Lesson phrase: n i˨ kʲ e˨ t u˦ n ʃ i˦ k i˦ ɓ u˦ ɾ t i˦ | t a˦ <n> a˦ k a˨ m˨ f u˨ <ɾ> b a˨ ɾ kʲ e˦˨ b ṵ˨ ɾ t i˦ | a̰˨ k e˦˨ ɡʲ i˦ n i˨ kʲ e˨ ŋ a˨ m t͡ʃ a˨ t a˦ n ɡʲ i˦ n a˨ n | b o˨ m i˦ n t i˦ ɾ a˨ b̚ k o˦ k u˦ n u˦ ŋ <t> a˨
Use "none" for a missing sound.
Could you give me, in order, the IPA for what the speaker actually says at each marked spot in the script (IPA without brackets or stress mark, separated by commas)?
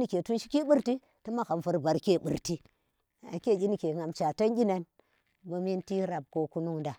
m, ɾ, d